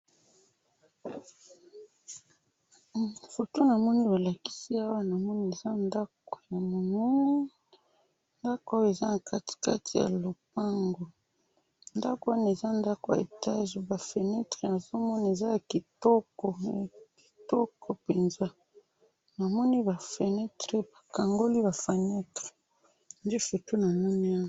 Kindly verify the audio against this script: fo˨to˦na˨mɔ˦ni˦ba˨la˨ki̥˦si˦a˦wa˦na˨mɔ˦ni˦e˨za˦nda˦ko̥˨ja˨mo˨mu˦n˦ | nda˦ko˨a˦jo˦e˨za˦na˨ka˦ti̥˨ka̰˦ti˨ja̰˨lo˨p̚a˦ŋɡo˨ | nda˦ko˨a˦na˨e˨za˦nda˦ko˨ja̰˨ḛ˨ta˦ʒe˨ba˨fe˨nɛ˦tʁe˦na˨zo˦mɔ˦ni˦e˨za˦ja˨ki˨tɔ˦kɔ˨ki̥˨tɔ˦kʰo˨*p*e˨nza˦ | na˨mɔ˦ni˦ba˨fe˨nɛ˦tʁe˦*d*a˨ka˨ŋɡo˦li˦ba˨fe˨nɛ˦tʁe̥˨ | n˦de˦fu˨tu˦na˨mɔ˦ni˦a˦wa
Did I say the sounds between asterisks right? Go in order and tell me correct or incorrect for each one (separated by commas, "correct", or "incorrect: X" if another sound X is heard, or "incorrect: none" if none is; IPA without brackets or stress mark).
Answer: correct, incorrect: b